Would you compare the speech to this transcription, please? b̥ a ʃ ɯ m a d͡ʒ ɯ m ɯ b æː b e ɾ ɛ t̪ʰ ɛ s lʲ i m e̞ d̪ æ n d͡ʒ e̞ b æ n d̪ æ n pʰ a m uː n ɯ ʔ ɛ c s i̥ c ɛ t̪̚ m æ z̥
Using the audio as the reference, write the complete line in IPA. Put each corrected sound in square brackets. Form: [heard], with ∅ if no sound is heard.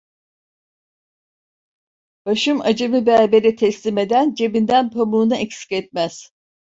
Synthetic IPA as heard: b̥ a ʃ ɯ m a d͡ʒ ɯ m ɯ b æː b e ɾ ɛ t̪ʰ ɛ s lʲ i m e̞ d̪ æ n d͡ʒ e̞ b [i] n d̪ æ n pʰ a m uː n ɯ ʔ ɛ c s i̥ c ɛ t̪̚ m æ z̥

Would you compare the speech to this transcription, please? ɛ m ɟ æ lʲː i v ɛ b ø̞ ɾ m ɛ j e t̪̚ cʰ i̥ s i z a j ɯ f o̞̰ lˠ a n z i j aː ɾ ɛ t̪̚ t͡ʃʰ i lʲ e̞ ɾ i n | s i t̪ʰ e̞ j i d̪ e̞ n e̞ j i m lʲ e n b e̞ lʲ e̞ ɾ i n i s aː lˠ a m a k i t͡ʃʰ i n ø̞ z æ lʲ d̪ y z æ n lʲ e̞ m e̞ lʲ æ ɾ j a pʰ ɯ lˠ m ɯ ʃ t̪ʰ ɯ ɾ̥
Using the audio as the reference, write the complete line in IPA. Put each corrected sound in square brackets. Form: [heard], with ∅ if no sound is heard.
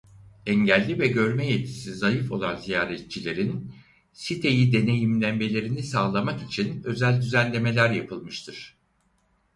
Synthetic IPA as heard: ɛ [ɲ] ɟ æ lʲː i v ɛ [ɟ] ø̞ ɾ m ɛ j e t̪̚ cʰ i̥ s i z a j ɯ f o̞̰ lˠ a n z i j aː ɾ ɛ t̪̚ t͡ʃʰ i lʲ e̞ ɾ i n | s i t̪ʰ e̞ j i d̪ e̞ n e̞ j i m lʲ [æ] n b e̞ lʲ e̞ ɾ i n i s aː lˠ a m a k i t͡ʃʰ i n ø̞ z æ lʲ d̪ y z æ n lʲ e̞ m e̞ lʲ æ ɾ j a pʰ ɯ lˠ m ɯ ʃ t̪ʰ ɯ ɾ̥

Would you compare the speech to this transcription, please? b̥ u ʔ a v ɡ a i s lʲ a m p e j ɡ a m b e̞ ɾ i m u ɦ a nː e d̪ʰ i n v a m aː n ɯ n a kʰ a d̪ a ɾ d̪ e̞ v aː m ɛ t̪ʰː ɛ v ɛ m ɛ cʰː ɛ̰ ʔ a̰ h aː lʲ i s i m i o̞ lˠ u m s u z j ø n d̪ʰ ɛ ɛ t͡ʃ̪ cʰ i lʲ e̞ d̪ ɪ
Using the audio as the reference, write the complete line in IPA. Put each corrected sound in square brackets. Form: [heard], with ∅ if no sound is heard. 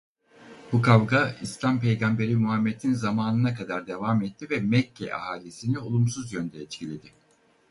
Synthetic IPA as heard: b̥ u [k] a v ɡ a i s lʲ a m p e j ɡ a m b e̞ ɾ i m u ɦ a [mː] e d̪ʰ i n [z] a m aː n ɯ n a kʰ a d̪ a ɾ d̪ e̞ v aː m ɛ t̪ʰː [i] v ɛ m ɛ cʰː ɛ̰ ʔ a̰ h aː lʲ i s i [n] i o̞ lˠ u m s u z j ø n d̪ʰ ɛ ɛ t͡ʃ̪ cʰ i lʲ e̞ d̪ ɪ

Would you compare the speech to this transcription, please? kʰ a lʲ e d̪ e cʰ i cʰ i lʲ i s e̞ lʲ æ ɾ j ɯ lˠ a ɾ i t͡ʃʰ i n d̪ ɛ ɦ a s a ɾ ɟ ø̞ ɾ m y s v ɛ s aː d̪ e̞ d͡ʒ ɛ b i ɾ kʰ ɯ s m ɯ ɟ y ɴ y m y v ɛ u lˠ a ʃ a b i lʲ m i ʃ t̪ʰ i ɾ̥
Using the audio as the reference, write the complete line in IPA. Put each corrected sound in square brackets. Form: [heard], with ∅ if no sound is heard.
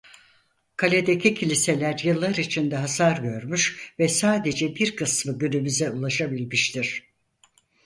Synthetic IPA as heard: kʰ a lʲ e d̪ e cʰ i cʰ i lʲ i s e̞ lʲ æ ɾ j ɯ [lˠː] a ɾ i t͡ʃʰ i n d̪ ɛ ɦ a s a ɾ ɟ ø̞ ɾ m y [ʃ] v ɛ s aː d̪ e̞ d͡ʒ ɛ b i ɾ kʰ ɯ s m ɯ ɟ y [n] y m y [z] ɛ u lˠ a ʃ a b i lʲ m i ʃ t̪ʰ i ɾ̥

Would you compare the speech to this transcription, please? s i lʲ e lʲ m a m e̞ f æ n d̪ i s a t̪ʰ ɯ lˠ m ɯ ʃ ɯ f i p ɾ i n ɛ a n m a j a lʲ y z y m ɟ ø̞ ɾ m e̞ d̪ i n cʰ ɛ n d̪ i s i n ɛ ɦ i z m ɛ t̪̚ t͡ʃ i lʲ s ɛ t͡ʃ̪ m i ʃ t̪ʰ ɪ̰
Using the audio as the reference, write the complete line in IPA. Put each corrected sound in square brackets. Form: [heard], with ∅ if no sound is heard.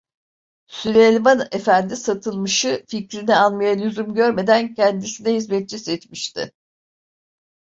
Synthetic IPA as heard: s [y] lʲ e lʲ m a [n] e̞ f æ n d̪ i s a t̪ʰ ɯ lˠ m ɯ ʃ ɯ f i [c] ɾ i n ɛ a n m a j a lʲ y z y m ɟ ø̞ ɾ m e̞ d̪ [æ] n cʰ ɛ n d̪ i s i n ɛ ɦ i z m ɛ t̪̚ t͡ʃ i [∅] s ɛ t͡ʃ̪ m i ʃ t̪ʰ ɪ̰

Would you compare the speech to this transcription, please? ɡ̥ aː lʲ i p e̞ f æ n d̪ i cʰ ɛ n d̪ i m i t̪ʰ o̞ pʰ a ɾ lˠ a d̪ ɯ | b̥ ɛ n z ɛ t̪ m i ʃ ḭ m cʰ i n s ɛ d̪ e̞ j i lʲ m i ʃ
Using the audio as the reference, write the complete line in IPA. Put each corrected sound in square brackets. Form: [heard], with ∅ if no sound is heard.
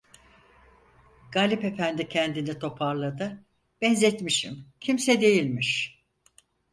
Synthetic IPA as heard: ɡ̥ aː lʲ i p e̞ f æ n d̪ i cʰ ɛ n d̪ i [n] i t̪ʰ o̞ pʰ a ɾ lˠ a d̪ ɯ | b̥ ɛ n z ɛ t̪ m i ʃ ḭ m cʰ i [m] s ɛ d̪ e̞ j i lʲ m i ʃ

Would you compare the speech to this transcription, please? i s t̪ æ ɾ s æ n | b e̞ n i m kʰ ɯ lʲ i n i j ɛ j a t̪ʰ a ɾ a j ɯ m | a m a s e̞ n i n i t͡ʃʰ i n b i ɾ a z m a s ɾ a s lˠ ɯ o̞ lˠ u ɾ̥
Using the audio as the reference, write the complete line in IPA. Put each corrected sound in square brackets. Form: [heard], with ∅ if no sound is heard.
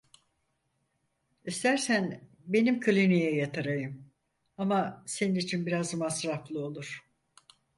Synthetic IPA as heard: i s t̪ æ ɾ s æ n | b e̞ n i m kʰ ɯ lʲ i n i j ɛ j a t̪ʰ a ɾ a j ɯ m | a m a s e̞ n i n i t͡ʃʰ i n b i ɾ a z m a s ɾ a [f] lˠ ɯ o̞ lˠ u ɾ̥

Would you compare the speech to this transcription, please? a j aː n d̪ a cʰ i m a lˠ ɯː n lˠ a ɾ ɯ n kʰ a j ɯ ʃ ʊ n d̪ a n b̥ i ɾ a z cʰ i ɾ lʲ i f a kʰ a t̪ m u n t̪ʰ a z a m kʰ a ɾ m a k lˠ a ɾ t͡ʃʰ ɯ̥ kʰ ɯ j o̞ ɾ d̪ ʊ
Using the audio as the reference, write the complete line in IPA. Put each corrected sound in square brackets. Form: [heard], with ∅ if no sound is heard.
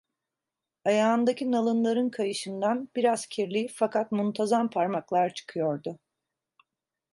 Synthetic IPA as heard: a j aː n d̪ a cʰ i [n] a lˠ [ɯ] n lˠ a ɾ ɯ n kʰ a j ɯ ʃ [ɯ] n d̪ a n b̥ i ɾ a z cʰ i ɾ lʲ i f a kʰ a t̪ m u n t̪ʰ a z a m [pʰ] a ɾ m a k lˠ a ɾ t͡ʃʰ ɯ̥ kʰ ɯ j o̞ ɾ d̪ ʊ

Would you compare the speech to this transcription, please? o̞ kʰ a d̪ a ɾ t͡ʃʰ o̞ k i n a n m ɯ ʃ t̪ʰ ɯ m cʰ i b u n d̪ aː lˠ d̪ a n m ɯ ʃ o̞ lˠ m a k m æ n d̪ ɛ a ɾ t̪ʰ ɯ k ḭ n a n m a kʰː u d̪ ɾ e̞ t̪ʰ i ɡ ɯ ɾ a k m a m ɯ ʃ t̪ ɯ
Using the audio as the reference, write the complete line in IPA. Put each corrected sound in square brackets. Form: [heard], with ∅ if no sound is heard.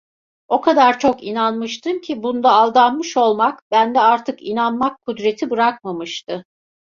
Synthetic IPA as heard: o̞ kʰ a d̪ a ɾ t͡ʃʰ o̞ k i n a n m ɯ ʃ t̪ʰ ɯ m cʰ i b u n d̪ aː lˠ d̪ a n m ɯ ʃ o̞ lˠ m a k [b] æ n d̪ ɛ a ɾ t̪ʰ ɯ k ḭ n a n m a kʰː u d̪ ɾ e̞ t̪ʰ i [b] ɯ ɾ a k m a m ɯ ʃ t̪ ɯ

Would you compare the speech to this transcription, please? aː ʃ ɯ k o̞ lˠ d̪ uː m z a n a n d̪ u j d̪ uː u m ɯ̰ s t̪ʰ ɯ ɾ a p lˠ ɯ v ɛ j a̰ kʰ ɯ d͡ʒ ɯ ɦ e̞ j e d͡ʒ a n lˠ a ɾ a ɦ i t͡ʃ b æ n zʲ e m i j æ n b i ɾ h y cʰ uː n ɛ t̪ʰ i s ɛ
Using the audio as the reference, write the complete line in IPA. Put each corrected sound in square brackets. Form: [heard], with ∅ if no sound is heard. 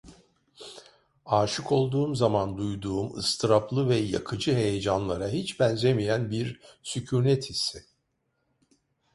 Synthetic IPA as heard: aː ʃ ɯ k o̞ lˠ d̪ uː m z a [m] a n d̪ u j d̪ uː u m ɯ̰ s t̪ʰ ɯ ɾ a p lˠ ɯ v ɛ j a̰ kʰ ɯ d͡ʒ ɯ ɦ e̞ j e d͡ʒ a n lˠ a ɾ a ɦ i t͡ʃ b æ n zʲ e m i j æ n b i ɾ [s] y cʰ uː n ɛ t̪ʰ i s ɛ

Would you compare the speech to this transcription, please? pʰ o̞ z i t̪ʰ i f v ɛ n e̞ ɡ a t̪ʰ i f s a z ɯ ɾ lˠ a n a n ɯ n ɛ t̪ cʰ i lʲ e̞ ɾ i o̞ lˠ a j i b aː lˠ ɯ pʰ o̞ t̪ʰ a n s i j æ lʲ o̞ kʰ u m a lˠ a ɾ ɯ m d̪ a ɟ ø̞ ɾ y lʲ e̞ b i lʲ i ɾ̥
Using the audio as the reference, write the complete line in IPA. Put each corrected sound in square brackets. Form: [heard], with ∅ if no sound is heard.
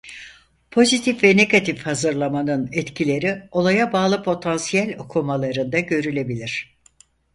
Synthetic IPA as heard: pʰ o̞ z i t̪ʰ i f v ɛ n e̞ ɡ a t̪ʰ i f [h] a z ɯ ɾ lˠ a [m] a n ɯ n ɛ t̪ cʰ i lʲ e̞ ɾ i o̞ lˠ a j [a] b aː lˠ ɯ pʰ o̞ t̪ʰ a n s i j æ lʲ o̞ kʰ u m a lˠ a ɾ ɯ [n] d̪ a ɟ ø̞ ɾ y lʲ e̞ b i lʲ i ɾ̥

